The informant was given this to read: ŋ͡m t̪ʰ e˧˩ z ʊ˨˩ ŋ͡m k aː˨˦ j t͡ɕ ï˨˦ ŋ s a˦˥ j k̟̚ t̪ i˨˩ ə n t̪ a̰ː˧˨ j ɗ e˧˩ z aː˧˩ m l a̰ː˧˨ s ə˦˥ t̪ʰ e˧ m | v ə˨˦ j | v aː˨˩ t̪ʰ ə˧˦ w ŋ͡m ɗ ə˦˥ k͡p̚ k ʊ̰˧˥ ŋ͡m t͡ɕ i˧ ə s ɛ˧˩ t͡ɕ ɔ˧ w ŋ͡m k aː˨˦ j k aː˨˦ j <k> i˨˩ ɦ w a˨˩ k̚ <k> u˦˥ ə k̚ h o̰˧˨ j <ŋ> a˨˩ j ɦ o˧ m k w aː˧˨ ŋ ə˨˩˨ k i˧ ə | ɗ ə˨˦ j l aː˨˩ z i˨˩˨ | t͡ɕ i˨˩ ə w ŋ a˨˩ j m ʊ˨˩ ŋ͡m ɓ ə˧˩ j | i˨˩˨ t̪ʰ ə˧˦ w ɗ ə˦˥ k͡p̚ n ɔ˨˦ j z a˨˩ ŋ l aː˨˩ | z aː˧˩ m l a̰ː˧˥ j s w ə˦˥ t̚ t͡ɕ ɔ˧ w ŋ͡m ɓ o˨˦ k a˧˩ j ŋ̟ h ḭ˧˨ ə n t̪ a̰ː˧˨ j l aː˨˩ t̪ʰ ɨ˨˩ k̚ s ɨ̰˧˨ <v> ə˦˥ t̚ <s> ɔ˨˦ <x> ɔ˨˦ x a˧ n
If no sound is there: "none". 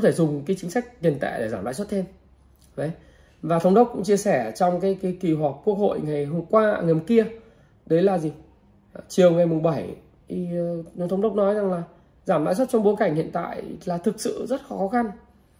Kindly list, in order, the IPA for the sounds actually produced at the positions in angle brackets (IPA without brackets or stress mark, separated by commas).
k, k, ŋ, z, x, x